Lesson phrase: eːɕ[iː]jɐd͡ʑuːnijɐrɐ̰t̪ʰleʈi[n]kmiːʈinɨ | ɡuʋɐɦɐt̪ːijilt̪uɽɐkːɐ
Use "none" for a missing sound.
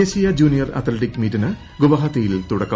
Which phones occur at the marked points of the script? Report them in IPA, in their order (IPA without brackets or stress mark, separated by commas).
i, none